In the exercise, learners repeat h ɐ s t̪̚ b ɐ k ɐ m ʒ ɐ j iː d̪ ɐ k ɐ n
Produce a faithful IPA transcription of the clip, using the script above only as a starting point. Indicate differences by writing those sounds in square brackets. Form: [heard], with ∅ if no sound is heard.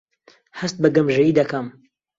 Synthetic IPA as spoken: h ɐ s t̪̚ b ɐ [ɡ] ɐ m ʒ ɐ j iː d̪ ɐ k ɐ [m]